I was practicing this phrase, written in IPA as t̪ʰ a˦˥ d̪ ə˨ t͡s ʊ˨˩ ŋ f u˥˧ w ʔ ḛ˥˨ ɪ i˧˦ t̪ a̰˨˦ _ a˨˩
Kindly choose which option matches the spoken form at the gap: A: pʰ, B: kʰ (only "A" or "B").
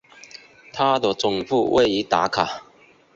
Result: B